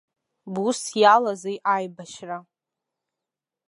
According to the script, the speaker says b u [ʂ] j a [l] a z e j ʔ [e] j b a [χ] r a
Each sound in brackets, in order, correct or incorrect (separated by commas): incorrect, correct, incorrect, incorrect